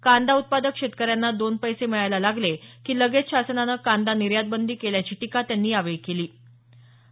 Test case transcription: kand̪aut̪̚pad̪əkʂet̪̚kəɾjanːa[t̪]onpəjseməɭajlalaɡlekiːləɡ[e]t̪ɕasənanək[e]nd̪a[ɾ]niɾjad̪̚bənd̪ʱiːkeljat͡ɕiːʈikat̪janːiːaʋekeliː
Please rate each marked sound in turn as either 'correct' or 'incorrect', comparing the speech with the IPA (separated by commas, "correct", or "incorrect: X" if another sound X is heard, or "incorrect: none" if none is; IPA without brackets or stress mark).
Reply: incorrect: d̪, correct, incorrect: a, incorrect: none